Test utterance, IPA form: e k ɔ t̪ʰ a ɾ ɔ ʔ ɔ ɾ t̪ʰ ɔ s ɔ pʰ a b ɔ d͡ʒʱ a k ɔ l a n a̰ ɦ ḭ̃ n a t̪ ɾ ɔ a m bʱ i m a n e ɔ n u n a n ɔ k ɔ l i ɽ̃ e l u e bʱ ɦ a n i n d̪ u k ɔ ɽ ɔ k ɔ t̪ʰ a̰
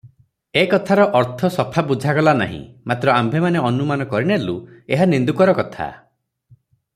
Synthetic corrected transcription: e k ɔ t̪ʰ a ɾ ɔ ʔ ɔ ɾ t̪ʰ ɔ s ɔ pʰ a b u d͡ʒʱ a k ɔ l a n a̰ ɦ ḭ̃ m a t̪ ɾ ɔ a m bʱ e m a n e ɔ n u m a n ɔ k ɔ ɾ i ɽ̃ e l u e ɦ a n i n d̪ u k ɔ ɾ ɔ k ɔ t̪ʰ a̰